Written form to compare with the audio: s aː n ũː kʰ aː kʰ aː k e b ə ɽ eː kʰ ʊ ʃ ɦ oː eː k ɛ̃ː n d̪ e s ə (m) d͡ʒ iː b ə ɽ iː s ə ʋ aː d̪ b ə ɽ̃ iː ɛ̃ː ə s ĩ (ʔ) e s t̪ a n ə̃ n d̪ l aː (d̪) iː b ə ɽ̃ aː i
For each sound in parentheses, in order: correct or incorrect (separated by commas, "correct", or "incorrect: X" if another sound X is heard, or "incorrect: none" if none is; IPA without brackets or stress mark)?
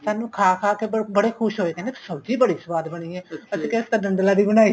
incorrect: b, incorrect: k, correct